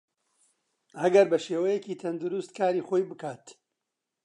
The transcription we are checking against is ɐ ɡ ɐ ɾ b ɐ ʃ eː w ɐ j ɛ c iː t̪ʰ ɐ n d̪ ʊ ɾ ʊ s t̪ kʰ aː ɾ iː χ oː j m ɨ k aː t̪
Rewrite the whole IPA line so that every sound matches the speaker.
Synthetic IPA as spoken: ɐ ɡ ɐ ɾ b ɐ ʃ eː w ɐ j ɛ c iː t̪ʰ ɐ n d̪ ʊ ɾ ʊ s t̪ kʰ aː ɾ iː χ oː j b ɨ k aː t̪